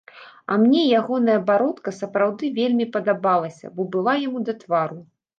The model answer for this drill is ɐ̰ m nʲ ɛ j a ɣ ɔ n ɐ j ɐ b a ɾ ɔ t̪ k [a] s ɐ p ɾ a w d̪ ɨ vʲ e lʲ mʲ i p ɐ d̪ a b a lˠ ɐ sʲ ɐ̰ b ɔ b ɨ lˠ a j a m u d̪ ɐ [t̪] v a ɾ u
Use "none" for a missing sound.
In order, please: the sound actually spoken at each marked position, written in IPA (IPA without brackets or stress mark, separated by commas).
ɐ, t̪